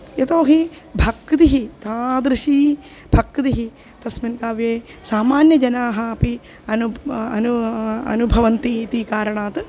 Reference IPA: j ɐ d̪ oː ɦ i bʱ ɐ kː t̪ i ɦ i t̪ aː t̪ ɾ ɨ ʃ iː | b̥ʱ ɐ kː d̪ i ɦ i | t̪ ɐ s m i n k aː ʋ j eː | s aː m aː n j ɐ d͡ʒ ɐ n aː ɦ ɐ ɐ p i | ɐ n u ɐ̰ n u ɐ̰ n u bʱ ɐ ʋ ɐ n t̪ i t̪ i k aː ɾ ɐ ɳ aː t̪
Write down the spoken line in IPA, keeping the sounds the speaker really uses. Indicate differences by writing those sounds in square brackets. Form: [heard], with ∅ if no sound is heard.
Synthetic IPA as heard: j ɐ [t̪] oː ɦ i bʱ ɐ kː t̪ i ɦ i t̪ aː [d̪] ɾ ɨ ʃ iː | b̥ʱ ɐ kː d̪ i ɦ i | t̪ ɐ s m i n k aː ʋ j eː | s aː m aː n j ɐ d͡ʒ ɐ n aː ɦ ɐ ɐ p i | ɐ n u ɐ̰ n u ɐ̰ n u bʱ ɐ ʋ ɐ n t̪ i t̪ i k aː ɾ ɐ ɳ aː t̪